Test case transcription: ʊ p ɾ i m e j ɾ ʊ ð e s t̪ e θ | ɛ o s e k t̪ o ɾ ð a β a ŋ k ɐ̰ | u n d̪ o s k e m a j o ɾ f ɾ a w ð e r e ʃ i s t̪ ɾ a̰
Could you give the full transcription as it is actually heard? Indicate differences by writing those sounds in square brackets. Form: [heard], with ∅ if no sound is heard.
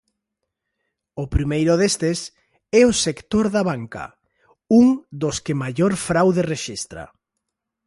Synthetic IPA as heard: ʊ p ɾ i m e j ɾ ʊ ð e s t̪ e [s] | ɛ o s e k t̪ o ɾ ð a β a ŋ k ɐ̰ | u [ŋ] d̪ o s k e m a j o ɾ f ɾ a w ð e r e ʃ i s t̪ ɾ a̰